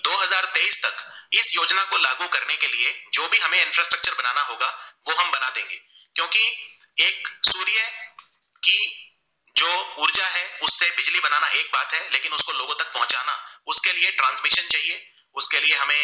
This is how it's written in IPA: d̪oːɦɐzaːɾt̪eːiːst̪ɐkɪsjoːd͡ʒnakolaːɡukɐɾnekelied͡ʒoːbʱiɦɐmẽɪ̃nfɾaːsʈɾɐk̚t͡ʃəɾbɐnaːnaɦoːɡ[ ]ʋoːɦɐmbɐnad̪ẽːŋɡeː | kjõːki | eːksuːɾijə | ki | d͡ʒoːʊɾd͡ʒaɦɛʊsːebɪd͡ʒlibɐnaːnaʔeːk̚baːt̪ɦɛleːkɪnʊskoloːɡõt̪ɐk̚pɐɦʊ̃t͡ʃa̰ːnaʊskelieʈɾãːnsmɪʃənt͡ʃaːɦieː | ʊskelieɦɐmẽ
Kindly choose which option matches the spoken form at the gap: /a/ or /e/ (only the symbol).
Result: a